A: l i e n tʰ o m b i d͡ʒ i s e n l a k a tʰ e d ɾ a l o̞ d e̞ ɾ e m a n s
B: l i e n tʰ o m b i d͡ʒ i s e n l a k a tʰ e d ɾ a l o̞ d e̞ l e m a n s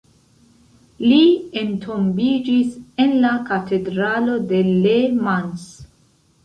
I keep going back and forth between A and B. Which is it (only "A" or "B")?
B